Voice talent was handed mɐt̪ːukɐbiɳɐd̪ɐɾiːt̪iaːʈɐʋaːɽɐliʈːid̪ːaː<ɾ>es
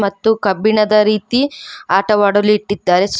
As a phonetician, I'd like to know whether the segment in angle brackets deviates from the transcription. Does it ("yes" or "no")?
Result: no